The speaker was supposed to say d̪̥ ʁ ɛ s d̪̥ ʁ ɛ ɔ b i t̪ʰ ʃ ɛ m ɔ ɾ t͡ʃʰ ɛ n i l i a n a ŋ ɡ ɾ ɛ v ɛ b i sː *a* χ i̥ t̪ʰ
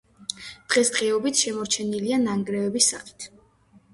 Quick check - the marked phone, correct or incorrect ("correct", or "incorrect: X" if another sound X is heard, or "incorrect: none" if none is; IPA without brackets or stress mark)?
correct